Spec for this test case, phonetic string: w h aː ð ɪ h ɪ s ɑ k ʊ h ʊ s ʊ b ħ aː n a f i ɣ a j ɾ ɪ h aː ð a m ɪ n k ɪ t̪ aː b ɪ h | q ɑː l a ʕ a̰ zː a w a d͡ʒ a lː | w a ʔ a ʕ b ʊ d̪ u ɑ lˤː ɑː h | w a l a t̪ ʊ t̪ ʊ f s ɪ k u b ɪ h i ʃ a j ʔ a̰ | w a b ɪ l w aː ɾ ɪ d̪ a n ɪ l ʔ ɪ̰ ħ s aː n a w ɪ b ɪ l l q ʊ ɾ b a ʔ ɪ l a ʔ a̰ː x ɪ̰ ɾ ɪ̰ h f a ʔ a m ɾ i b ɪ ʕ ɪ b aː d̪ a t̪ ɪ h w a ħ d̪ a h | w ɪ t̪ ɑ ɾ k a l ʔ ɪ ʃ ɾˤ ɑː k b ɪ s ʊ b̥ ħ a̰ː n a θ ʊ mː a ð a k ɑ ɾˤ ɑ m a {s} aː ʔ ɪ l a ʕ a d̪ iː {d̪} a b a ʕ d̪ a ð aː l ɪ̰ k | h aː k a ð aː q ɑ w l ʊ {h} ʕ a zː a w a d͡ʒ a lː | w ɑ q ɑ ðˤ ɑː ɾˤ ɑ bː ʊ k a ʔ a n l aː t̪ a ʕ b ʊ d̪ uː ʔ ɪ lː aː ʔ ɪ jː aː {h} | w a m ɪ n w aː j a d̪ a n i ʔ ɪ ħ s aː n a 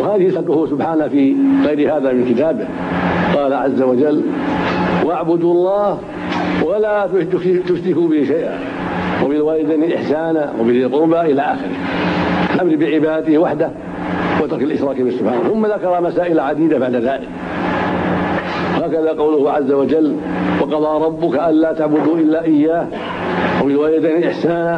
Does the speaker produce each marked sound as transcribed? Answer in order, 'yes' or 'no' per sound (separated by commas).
yes, yes, yes, yes